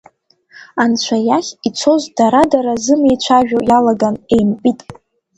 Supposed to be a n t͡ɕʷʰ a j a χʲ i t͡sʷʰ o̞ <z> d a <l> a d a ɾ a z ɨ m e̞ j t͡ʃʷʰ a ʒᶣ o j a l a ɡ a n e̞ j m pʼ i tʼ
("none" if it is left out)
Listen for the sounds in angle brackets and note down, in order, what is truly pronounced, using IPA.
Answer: z, ɾ

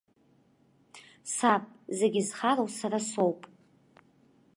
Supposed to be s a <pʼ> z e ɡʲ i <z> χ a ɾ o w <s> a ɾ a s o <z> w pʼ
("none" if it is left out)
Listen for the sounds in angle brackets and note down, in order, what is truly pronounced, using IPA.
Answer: pʼ, z, s, none

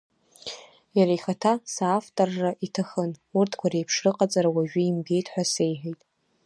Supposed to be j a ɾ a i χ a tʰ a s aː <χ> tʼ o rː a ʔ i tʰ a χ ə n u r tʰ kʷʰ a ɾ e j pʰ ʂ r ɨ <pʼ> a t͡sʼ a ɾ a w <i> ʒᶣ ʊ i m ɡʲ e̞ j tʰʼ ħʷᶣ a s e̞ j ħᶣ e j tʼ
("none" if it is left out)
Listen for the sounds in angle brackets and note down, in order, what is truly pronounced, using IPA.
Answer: f, qʼ, a

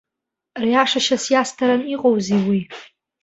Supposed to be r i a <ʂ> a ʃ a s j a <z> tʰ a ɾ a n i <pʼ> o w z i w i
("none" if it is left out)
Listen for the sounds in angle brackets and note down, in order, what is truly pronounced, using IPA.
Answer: ʂ, s, qʼ

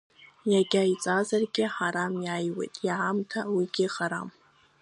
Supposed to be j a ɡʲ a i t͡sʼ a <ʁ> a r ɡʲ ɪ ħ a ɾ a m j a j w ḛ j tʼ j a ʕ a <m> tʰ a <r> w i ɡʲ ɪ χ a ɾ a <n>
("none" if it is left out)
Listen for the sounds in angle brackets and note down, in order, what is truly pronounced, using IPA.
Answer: z, m, none, m

